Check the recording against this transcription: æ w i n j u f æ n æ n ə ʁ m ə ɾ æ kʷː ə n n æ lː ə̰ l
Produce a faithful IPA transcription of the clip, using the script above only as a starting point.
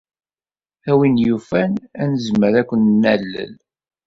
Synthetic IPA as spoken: æ w i n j u f æ n æ n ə z m ə ɾ æ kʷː ə n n æ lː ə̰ l